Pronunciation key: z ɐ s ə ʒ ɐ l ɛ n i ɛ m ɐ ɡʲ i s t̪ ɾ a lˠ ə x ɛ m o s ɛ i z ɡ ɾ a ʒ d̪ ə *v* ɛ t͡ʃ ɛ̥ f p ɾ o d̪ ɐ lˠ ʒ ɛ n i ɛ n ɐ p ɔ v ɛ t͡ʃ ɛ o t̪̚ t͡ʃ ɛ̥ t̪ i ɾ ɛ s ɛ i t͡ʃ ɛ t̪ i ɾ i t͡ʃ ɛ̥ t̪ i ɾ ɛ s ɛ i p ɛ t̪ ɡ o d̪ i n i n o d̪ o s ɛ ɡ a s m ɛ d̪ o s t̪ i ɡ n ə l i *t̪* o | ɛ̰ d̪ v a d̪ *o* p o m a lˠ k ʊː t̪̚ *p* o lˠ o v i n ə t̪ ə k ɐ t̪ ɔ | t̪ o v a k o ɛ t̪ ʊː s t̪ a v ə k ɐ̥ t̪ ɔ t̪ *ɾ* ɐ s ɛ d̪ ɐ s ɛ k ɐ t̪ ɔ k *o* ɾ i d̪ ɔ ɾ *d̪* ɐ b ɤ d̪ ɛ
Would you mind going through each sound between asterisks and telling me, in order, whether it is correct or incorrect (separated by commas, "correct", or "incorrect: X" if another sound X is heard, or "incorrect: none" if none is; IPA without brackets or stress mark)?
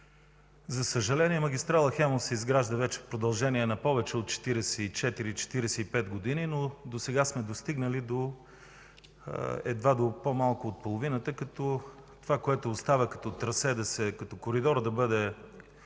correct, incorrect: d̪, correct, correct, correct, correct, correct